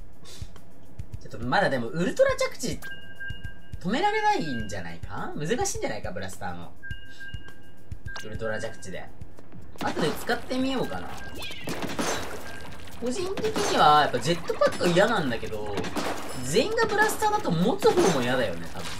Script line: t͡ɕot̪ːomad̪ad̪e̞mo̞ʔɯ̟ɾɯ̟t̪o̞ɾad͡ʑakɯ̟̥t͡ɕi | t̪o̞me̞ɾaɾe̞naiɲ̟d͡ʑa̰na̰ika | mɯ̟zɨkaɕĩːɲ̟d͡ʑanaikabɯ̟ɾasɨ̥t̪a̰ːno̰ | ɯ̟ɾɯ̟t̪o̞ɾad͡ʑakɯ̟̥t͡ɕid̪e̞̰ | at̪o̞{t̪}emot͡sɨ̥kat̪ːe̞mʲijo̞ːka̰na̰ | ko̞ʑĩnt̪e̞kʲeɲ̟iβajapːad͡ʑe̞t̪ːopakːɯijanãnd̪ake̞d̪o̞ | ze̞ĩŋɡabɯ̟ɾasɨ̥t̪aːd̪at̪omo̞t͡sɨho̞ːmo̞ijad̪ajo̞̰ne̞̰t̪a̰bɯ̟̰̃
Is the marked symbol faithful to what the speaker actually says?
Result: no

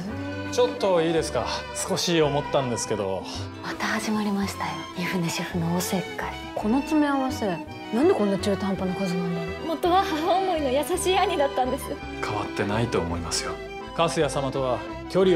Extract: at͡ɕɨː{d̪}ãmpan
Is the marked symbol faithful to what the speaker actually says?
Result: no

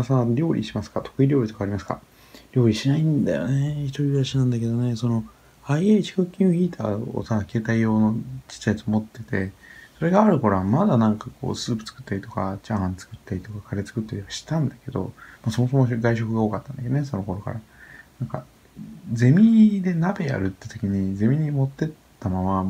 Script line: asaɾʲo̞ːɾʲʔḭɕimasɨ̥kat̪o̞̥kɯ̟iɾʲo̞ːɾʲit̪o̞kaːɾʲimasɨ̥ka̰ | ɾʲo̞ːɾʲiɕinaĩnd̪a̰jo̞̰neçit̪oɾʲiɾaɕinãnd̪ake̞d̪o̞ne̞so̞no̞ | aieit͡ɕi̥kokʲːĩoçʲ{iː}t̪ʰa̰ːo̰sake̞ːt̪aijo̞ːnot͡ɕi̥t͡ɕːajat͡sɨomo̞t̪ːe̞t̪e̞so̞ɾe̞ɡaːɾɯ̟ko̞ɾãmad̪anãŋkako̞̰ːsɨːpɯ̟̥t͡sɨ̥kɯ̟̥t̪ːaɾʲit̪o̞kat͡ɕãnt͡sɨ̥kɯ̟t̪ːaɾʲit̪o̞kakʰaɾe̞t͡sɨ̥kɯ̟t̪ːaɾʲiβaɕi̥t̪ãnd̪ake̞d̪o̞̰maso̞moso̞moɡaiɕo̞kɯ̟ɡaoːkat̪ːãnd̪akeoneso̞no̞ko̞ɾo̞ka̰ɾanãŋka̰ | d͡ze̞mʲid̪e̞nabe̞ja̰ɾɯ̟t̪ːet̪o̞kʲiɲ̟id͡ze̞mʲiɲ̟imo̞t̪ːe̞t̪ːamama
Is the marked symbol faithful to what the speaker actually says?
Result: yes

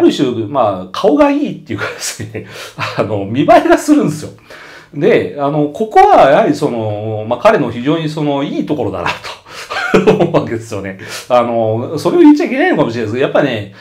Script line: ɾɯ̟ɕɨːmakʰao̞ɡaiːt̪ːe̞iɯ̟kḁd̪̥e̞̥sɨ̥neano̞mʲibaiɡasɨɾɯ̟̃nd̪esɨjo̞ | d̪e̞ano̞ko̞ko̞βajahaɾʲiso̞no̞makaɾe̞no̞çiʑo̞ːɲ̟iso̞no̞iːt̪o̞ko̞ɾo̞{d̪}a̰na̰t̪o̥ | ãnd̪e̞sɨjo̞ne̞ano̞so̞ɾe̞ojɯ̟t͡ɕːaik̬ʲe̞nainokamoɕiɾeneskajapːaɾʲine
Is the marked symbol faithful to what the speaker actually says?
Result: yes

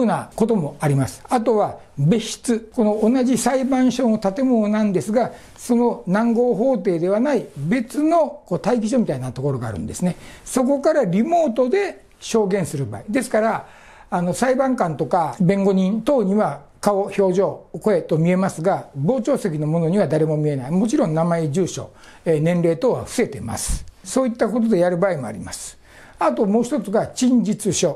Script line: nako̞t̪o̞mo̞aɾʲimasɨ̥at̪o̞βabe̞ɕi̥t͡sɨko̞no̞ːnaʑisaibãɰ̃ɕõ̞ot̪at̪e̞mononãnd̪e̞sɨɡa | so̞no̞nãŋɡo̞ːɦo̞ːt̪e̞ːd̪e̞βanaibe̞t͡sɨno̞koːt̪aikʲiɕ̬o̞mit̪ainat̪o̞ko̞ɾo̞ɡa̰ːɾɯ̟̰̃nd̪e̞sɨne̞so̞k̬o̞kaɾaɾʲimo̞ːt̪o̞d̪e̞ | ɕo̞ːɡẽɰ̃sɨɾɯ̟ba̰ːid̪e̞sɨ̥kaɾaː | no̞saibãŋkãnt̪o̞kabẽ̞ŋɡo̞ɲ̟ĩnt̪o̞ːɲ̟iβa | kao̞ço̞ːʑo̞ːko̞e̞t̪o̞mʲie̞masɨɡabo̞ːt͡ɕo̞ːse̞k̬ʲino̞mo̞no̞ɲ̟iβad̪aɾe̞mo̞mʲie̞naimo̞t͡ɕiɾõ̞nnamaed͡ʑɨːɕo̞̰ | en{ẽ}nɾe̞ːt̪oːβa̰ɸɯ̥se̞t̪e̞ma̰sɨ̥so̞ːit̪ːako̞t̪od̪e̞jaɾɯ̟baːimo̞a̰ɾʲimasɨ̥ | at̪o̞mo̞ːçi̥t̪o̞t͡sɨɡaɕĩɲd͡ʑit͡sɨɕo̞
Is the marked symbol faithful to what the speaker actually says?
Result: yes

